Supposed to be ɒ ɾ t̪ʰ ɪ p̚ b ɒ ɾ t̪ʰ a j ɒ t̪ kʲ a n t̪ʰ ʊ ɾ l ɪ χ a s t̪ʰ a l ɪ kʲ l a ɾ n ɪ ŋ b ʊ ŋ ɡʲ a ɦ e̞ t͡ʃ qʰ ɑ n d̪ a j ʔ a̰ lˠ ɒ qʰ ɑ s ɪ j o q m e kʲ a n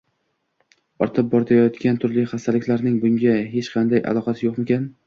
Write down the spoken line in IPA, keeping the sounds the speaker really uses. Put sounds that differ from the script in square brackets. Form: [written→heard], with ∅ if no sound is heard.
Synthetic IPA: ɒ ɾ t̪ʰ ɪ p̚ b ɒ ɾ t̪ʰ a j ɒ t̪ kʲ a n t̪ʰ ʊ ɾ l ɪ χ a s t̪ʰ a l ɪ kʲ l a ɾ n ɪ ŋ b ʊ ŋ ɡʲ a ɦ e̞ t͡ʃ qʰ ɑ n d̪ a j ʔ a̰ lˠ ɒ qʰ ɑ s ɪ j o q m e kʲ a n